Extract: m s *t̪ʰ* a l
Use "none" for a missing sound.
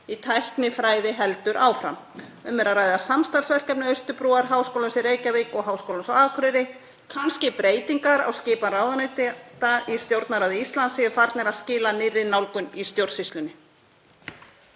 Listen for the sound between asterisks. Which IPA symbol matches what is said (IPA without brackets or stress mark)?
t̪